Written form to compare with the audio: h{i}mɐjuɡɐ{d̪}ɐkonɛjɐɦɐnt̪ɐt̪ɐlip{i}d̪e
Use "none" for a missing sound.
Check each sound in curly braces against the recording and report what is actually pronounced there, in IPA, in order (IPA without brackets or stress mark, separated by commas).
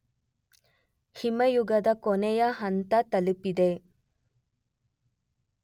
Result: i, d̪, i